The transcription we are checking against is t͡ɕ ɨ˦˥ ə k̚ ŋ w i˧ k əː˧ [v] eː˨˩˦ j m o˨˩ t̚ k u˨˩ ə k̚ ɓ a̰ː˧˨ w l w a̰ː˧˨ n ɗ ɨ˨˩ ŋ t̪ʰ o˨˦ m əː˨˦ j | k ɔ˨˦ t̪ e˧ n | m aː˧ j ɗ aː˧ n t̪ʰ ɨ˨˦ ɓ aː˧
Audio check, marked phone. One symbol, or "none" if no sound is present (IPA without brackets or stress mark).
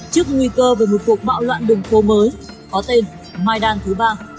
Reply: v